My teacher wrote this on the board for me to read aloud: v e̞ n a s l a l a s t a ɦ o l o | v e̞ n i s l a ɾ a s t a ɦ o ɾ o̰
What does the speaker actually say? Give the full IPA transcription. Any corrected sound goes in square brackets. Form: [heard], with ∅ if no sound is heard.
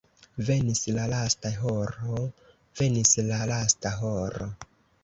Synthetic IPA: v e̞ n [i] s l a l a s t a ɦ o [ɾ] o | v e̞ n i s l a [l] a s t a ɦ o ɾ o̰

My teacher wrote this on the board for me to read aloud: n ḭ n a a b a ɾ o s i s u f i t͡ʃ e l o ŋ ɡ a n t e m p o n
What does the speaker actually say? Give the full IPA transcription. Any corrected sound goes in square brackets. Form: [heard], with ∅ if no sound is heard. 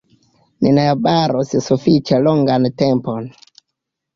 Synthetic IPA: n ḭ n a a b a ɾ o s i s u f i t͡ʃ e l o ŋ ɡ a n t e m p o n

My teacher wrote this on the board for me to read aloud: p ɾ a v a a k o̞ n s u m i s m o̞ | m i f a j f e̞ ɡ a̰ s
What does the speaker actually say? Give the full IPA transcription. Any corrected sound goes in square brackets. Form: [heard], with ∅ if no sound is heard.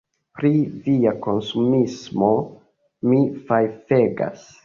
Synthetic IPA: p ɾ [i] v [i] a k o̞ n s u m i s m o̞ | m i f a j f e̞ ɡ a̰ s

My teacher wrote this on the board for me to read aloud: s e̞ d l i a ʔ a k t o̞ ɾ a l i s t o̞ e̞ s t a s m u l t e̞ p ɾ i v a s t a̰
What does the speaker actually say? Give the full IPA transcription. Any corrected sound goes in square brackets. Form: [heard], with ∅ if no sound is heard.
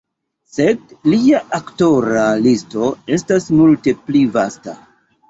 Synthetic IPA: s e̞ d l i a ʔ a k t o̞ ɾ a l i s t o̞ e̞ s t a s m u l t e̞ p [l] i v a s t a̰

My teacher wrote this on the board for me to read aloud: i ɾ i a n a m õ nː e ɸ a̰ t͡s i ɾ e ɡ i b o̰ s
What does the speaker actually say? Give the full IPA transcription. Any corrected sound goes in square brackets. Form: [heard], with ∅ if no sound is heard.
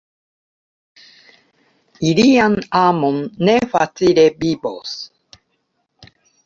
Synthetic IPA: i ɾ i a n a m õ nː e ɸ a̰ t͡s i ɾ e [b] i b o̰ s

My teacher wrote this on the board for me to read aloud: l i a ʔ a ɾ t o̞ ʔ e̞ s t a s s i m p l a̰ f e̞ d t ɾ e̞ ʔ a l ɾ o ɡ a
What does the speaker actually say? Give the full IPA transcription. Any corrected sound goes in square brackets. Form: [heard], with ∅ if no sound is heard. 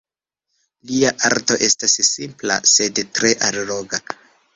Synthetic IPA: l i a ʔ a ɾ t o̞ ʔ e̞ s t a s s i m p l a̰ [s] e̞ d t ɾ e̞ ʔ a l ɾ o ɡ a

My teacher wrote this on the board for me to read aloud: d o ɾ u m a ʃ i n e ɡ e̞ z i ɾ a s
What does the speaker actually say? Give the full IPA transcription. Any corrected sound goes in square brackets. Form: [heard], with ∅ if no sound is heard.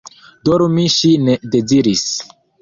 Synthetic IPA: d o ɾ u m [i] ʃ i n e [d] e̞ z i ɾ [i] s

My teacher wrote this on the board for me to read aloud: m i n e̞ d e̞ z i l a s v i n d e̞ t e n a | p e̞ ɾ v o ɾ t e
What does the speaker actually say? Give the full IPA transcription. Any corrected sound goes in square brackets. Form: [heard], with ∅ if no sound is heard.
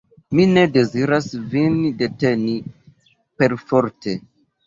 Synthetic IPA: m i n e̞ d e̞ z i [ɾ] a s v i n d e̞ t e n [i] | p e̞ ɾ [f] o ɾ t e

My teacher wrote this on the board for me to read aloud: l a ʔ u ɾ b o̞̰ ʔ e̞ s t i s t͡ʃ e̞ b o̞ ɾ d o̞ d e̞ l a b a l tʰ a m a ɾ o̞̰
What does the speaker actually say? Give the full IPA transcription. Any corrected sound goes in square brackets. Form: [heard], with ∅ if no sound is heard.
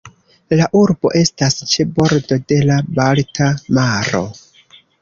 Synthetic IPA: l a ʔ u ɾ b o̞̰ ʔ e̞ s t [a] s t͡ʃ e̞ b o̞ ɾ d o̞ d e̞ l a b a l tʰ a m a ɾ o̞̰

